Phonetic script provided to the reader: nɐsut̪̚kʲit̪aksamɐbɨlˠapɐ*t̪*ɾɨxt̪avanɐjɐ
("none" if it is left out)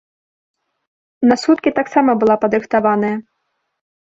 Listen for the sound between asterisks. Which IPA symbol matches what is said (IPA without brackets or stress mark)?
d̪